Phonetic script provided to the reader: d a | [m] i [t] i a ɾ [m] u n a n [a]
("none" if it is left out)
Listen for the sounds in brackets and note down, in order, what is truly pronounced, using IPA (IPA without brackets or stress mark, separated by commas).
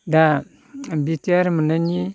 b, t, m, i